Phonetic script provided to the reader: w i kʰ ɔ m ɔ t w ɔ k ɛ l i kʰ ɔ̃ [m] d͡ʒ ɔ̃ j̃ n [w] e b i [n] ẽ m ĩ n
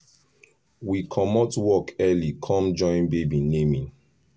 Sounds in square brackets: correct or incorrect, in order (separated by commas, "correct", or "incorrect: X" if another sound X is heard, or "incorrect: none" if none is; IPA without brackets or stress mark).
correct, incorrect: b, correct